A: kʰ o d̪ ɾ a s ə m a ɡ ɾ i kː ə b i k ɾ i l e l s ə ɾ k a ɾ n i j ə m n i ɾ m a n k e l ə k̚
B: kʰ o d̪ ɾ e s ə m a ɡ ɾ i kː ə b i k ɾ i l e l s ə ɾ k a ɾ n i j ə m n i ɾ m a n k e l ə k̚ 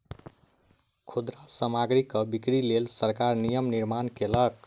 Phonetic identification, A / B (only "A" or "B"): A